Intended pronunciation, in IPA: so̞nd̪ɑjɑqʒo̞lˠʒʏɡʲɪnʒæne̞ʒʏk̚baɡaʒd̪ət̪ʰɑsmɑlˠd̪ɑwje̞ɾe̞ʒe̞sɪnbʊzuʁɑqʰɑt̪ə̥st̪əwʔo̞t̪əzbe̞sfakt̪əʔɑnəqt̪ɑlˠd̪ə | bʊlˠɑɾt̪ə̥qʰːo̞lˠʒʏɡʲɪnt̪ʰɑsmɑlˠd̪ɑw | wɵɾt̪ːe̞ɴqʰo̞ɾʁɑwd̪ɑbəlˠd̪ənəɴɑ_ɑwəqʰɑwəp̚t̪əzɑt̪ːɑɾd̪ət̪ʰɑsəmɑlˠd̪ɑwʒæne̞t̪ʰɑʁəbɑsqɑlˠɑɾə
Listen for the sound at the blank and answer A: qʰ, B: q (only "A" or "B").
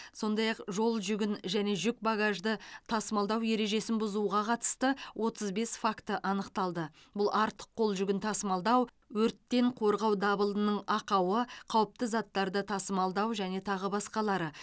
B